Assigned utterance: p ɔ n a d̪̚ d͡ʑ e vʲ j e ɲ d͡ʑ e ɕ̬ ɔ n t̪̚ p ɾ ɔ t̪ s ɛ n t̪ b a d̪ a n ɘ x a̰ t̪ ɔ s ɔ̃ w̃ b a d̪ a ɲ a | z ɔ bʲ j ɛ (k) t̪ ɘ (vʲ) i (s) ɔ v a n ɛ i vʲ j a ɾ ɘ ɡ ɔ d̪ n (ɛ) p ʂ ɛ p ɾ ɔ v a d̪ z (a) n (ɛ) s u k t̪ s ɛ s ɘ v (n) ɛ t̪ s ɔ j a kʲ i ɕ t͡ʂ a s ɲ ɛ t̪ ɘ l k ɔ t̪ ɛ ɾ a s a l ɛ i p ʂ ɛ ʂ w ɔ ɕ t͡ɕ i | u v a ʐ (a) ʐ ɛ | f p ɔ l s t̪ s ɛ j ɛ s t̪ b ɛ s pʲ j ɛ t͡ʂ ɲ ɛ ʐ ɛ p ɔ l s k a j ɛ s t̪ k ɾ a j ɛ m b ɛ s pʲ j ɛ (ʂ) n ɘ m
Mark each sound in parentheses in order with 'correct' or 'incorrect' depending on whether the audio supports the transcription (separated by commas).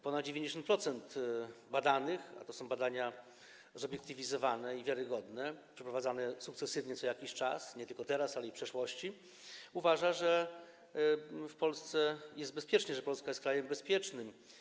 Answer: correct, correct, incorrect, correct, correct, correct, incorrect, correct, incorrect